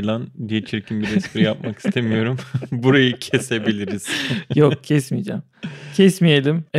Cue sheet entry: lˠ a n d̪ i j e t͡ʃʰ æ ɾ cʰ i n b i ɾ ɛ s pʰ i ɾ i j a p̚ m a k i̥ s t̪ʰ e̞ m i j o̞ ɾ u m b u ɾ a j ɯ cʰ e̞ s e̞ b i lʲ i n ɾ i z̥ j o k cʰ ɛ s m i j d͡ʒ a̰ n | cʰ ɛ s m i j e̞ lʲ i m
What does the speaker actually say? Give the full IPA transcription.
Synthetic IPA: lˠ a n d̪ i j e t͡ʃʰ i ɾ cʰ i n b i ɾ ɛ s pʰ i ɾ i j a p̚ m a k i̥ s t̪ʰ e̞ m i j o̞ ɾ u m b u ɾ a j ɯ cʰ e̞ s e̞ b i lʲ i ɾ i z̥ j o k cʰ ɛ s m i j d͡ʒ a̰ m | cʰ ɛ s m i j e̞ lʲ i m